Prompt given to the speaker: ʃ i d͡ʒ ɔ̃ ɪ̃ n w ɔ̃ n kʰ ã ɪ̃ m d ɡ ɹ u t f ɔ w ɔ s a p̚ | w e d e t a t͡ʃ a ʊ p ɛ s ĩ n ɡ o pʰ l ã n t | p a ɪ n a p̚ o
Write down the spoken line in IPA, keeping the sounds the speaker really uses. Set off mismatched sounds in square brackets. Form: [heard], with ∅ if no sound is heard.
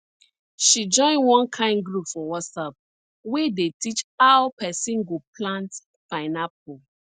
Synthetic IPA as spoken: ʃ i d͡ʒ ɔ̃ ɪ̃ n w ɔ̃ n kʰ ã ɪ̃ [n] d ɡ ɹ u [p] f ɔ w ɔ s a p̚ | w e d e t [i] t͡ʃ a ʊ p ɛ s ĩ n ɡ o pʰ l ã n t | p a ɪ n a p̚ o